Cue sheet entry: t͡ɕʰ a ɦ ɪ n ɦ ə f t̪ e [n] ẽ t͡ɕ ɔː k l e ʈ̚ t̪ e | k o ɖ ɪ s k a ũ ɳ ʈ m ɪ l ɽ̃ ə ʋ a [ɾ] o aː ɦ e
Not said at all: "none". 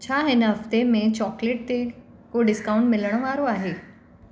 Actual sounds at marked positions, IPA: m, ɾ

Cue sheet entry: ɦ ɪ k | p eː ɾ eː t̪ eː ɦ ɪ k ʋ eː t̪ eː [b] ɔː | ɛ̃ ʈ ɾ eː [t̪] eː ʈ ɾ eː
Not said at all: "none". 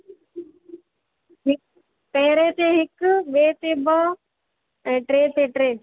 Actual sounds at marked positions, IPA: b, t̪

